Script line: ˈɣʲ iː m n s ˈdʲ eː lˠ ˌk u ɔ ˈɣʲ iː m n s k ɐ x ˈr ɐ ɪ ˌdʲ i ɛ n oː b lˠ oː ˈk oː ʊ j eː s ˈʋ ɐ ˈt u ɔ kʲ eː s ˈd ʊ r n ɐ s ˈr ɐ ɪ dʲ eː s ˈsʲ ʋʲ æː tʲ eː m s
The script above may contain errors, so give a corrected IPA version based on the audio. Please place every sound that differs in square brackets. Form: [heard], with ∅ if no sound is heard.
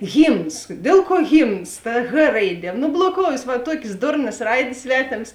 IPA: ˈɣʲ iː m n s ˈdʲ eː lˠ ˌk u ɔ ˈɣʲ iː m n s [t] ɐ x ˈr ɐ ɪ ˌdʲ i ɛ n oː b lˠ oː ˈk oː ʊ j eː s ˈʋ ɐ ˈt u ɔ kʲ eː s ˈd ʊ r n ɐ s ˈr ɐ ɪ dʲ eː s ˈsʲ ʋʲ æː tʲ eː m s